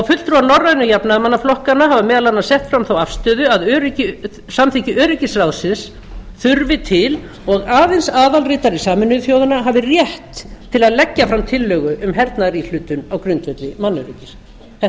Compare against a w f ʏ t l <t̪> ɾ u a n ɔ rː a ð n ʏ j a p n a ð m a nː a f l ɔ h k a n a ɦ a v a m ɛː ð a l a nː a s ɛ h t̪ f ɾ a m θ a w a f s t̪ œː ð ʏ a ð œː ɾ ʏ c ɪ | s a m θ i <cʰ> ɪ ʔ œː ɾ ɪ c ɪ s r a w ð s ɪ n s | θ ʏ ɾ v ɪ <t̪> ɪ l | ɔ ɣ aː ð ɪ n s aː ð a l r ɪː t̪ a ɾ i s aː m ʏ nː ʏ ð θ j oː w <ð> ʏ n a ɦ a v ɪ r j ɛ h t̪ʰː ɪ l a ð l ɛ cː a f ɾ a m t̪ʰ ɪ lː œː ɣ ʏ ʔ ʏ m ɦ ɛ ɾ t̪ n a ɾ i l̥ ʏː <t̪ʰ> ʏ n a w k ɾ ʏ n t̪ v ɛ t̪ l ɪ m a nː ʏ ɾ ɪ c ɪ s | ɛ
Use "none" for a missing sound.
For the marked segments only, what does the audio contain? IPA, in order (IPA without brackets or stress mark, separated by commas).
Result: t̪, c, t̪ʰ, ð, t̪